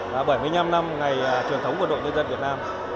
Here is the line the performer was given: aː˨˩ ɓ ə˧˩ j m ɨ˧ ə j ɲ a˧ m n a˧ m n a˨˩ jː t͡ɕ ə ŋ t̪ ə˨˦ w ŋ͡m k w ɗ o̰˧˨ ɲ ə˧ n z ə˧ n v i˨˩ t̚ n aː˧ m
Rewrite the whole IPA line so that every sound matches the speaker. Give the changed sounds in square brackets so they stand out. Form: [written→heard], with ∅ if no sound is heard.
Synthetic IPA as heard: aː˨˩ ɓ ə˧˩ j m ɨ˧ ə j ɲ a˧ m n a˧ m [n→ŋ] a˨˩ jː t͡ɕ ə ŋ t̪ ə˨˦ w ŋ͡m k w ɗ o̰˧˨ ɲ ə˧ n z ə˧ n v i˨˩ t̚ n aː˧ m

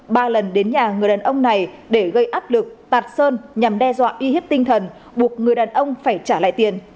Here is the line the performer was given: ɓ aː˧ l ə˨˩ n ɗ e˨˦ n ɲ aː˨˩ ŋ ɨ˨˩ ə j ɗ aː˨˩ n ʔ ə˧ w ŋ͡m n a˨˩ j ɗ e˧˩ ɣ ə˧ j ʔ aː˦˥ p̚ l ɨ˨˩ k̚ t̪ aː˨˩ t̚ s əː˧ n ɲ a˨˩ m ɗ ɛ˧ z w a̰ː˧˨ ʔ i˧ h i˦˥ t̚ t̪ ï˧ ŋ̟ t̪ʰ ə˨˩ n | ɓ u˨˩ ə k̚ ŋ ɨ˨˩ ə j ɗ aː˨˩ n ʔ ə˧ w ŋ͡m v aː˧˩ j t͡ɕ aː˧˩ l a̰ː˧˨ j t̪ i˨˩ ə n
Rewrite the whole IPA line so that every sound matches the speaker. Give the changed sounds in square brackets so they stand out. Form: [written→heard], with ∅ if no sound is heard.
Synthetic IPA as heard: ɓ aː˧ l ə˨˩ n ɗ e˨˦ n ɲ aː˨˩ ŋ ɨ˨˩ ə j ɗ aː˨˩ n ʔ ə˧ w ŋ͡m n a˨˩ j ɗ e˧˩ ɣ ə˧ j ʔ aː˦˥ p̚ l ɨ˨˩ k̚ t̪ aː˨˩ t̚ s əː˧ n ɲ a˨˩ m ɗ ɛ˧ z w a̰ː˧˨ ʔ i˧ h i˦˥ [t̚→p̚] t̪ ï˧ ŋ̟ t̪ʰ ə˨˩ n | ɓ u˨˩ ə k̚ ŋ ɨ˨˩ ə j ɗ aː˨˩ n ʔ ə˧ w ŋ͡m [v→f] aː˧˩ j t͡ɕ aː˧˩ l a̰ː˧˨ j t̪ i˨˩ ə n

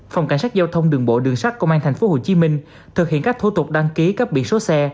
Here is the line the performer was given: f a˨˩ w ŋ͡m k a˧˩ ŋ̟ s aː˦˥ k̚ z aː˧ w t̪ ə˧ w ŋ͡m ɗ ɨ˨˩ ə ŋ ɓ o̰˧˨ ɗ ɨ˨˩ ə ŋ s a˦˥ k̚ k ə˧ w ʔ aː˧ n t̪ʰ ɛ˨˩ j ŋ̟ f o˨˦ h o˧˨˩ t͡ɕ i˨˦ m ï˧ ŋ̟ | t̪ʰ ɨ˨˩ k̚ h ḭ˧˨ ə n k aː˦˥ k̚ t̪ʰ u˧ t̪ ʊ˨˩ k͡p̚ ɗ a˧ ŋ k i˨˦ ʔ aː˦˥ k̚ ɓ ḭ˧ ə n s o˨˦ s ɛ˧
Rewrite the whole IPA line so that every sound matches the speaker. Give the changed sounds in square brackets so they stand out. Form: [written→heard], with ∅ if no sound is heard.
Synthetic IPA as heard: f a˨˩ w ŋ͡m k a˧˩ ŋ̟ s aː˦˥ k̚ z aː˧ w [t̪→t̪ʰ] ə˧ w ŋ͡m ɗ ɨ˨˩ ə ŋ ɓ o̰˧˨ ɗ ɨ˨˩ ə ŋ s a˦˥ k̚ k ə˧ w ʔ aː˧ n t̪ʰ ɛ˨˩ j ŋ̟ f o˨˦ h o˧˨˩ t͡ɕ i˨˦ m ï˧ ŋ̟ | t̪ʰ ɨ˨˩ k̚ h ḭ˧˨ ə n k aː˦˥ k̚ t̪ʰ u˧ t̪ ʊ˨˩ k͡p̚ ɗ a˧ ŋ k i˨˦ [ʔ→k] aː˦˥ k̚ ɓ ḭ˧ ə n s o˨˦ s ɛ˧

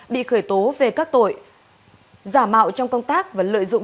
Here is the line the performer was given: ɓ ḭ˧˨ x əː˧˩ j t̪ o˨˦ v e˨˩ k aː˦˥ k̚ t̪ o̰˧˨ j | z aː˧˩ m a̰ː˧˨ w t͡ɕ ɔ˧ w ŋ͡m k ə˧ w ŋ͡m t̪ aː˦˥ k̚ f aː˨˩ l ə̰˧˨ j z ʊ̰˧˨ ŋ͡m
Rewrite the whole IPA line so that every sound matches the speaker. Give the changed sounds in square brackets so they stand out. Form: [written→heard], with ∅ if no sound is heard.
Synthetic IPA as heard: ɓ ḭ˧˨ x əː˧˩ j t̪ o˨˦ v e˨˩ k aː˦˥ k̚ t̪ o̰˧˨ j | z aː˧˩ m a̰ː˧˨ w t͡ɕ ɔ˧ w ŋ͡m k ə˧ w ŋ͡m t̪ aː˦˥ k̚ [f→v] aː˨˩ l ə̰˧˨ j z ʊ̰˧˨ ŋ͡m

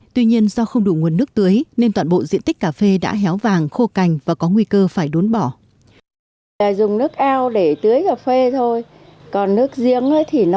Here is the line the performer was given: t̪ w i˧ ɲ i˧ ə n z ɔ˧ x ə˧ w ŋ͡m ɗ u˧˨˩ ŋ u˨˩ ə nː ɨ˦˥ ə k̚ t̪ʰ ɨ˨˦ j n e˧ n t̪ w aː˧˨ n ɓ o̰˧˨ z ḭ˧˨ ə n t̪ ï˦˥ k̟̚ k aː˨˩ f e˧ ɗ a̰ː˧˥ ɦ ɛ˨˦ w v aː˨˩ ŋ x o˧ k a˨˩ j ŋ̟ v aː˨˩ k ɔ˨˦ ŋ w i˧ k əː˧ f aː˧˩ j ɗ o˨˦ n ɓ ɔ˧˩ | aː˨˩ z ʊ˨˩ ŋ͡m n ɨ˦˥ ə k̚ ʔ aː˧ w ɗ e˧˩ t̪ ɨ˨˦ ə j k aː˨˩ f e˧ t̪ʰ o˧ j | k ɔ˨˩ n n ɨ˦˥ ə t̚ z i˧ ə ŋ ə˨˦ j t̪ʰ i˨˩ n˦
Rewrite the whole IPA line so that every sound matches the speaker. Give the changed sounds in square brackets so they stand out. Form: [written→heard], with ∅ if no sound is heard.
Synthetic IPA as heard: t̪ w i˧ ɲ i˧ ə n z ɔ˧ x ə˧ w ŋ͡m ɗ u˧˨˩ ŋ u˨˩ ə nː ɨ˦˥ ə k̚ [t̪ʰ→t̪] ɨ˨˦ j n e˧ n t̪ w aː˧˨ n ɓ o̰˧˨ z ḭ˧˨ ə n t̪ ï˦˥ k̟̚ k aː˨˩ f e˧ ɗ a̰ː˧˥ ɦ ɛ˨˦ w v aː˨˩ ŋ x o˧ k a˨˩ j ŋ̟ v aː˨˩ k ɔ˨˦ ŋ w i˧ k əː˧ f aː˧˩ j ɗ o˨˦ n ɓ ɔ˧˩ | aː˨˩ z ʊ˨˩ ŋ͡m n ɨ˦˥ ə k̚ ʔ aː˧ w ɗ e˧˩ t̪ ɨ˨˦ ə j k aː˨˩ f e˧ t̪ʰ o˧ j | k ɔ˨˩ n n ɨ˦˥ ə [t̚→k̚] z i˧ ə ŋ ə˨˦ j t̪ʰ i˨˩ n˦

